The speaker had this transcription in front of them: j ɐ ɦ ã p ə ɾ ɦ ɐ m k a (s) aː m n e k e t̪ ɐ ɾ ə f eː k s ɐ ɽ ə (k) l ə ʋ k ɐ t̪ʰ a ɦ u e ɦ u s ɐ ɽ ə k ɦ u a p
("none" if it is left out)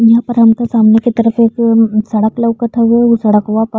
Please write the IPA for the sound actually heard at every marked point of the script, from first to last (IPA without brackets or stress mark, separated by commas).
s, k